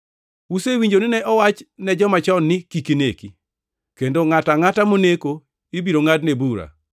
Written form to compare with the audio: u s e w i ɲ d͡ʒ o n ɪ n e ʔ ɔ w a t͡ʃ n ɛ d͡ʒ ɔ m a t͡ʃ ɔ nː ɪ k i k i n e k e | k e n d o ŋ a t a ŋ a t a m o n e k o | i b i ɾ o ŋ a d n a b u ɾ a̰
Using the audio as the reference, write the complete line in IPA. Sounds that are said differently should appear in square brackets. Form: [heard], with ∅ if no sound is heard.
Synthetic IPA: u s e w i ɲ d͡ʒ o n ɪ n [ɛ] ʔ ɔ w a t͡ʃ n ɛ d͡ʒ ɔ m a t͡ʃ ɔ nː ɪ k i k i n e k [i] | k e n d o ŋ a t a ŋ a t a m o n e k o | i b i ɾ o ŋ a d n [e] b u ɾ a̰